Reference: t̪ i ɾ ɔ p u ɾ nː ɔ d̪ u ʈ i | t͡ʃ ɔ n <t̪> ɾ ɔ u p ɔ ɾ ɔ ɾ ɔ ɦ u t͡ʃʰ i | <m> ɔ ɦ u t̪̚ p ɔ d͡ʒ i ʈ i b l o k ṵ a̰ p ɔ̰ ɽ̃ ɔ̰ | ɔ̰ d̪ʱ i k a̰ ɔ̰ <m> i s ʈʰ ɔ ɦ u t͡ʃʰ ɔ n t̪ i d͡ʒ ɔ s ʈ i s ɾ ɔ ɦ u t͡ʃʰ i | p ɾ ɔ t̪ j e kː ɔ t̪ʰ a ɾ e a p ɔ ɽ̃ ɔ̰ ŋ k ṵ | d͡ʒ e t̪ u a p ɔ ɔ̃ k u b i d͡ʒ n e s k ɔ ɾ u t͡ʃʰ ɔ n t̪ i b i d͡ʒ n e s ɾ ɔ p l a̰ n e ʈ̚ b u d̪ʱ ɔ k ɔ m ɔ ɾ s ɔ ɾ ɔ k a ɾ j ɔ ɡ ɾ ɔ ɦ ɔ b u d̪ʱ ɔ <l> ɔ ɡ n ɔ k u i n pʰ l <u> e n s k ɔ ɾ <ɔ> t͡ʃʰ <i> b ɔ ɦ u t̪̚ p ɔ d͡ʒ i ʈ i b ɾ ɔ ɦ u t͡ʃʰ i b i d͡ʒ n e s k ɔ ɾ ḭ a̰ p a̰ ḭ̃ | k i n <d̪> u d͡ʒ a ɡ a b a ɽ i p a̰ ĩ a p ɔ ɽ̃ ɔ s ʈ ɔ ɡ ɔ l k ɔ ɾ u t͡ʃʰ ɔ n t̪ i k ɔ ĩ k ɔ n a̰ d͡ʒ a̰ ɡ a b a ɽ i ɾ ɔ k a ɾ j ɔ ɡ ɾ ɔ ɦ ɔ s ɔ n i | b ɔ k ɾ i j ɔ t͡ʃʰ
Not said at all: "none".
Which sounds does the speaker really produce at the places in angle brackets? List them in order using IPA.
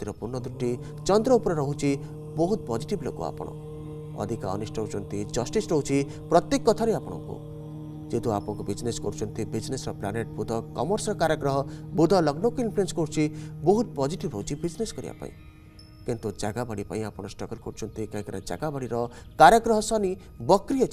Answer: d̪, b, n, l, u, u, i, t̪

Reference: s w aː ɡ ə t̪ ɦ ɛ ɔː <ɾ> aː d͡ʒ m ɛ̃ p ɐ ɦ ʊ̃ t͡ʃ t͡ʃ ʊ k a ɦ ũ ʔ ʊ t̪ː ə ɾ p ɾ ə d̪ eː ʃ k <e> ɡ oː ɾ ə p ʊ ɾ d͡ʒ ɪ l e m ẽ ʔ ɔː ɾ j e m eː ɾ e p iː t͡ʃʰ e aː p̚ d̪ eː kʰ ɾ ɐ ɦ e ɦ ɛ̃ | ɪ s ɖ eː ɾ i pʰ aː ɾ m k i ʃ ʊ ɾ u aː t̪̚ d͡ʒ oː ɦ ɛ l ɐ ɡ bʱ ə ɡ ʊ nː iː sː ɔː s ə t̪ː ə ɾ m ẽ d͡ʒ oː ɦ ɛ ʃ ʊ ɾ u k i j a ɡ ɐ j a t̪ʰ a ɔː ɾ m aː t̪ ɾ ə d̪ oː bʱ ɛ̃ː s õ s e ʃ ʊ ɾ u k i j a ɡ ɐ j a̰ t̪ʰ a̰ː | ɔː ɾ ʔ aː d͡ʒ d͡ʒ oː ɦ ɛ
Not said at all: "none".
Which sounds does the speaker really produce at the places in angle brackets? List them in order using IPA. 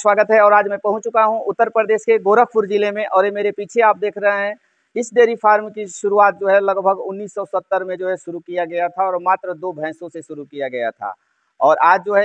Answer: ɾ, e

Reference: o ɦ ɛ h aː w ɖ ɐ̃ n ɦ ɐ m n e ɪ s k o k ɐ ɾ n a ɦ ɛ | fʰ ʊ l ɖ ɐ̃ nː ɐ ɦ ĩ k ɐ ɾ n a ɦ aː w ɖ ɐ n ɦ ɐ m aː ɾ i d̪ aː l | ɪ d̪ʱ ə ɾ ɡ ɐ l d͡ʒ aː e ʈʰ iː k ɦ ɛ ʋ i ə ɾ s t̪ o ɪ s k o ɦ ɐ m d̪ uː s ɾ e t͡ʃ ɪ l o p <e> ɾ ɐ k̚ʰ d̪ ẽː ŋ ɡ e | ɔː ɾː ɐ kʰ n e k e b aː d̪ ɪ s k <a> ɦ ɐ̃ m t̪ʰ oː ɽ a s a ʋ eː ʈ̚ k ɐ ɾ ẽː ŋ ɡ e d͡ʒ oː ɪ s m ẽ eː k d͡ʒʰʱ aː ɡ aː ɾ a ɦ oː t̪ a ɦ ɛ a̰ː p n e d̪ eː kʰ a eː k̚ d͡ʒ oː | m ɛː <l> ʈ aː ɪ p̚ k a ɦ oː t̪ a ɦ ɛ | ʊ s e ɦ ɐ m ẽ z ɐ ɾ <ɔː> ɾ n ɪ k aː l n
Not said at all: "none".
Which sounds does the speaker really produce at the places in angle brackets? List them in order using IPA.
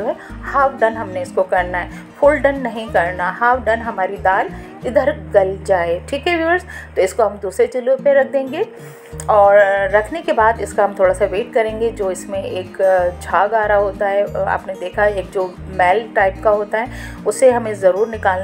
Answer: e, a, l, uː

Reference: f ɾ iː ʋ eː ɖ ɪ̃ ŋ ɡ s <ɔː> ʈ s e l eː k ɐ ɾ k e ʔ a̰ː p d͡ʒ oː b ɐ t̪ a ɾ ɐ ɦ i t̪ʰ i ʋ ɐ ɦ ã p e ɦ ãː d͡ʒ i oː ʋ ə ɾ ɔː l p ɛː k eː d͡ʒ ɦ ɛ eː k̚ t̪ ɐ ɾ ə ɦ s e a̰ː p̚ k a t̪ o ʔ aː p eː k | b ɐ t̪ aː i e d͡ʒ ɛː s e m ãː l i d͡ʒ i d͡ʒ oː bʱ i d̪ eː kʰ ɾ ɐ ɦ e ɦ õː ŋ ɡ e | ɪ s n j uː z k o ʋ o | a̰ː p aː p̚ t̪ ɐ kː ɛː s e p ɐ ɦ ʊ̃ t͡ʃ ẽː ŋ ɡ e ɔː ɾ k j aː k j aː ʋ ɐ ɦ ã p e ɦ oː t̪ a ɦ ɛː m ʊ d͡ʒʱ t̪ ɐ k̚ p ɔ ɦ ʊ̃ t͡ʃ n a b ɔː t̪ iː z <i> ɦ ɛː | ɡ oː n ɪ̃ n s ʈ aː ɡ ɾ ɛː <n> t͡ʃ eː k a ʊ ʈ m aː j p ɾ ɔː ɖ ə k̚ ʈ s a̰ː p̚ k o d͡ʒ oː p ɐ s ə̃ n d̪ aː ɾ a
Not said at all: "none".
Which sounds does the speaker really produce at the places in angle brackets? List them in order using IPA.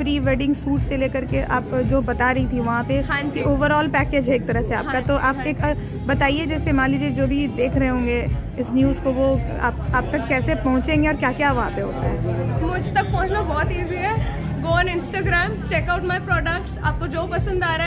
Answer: uː, i, m

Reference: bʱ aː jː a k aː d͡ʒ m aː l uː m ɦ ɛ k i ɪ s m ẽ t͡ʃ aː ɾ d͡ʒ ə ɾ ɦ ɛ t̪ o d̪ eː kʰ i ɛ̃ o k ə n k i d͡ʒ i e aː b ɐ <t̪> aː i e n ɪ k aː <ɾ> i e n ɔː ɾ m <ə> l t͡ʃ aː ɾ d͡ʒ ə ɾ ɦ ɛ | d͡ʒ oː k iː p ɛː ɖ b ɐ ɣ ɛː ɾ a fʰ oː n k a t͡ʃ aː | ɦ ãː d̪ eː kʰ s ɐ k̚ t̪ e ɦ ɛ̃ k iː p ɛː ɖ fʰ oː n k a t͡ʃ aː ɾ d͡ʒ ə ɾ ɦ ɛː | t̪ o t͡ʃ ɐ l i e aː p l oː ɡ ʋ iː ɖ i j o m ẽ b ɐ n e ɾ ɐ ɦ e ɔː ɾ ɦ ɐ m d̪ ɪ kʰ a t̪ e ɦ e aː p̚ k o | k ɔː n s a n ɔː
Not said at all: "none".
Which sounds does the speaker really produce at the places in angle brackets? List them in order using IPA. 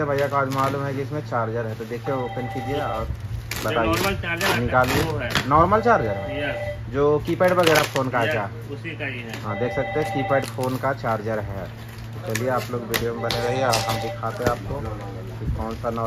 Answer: t̪, l, ə

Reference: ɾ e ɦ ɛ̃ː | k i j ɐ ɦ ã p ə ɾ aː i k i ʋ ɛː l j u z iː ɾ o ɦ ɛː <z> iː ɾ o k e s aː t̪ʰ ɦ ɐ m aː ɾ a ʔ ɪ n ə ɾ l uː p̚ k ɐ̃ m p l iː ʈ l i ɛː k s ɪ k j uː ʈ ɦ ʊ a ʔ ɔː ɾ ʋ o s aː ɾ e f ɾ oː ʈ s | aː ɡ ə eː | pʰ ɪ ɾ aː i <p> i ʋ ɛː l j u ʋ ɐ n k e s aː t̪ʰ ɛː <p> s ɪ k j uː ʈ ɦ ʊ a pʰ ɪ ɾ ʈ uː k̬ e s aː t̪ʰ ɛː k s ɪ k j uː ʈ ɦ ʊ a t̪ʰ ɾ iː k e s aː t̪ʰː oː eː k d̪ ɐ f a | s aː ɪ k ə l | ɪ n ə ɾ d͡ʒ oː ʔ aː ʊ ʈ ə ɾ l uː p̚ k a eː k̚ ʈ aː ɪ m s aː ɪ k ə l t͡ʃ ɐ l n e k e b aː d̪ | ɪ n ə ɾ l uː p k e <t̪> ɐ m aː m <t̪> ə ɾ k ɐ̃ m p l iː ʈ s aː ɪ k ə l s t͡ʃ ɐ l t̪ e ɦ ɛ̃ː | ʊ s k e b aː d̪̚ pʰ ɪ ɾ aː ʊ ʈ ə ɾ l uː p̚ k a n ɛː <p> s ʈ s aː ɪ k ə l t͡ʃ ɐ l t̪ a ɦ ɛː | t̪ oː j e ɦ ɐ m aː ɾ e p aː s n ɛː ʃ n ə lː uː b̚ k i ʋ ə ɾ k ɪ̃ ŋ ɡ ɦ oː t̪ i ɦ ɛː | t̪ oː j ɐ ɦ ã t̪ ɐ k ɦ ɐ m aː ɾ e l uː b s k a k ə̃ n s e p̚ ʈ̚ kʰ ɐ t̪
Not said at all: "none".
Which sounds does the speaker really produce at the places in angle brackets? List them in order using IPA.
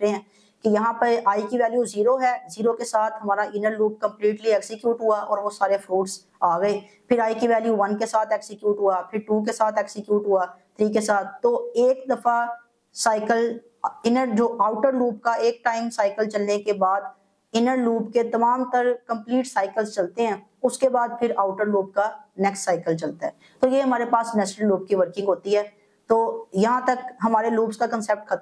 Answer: z, k, k, t̪, t̪, k

